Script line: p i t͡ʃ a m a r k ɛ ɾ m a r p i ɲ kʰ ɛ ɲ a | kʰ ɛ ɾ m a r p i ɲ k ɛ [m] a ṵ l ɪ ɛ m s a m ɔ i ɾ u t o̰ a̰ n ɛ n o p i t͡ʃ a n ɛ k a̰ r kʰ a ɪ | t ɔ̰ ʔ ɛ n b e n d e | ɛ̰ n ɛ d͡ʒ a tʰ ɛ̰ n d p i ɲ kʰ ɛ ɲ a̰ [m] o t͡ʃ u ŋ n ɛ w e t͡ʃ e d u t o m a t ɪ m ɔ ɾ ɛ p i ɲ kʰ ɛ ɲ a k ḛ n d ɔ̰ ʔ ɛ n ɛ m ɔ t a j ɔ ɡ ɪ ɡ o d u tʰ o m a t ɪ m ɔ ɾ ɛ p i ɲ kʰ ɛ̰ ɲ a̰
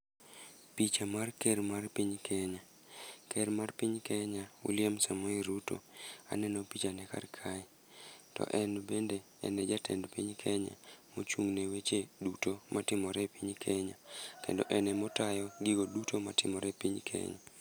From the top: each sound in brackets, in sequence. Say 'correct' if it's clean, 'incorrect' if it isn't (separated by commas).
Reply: incorrect, correct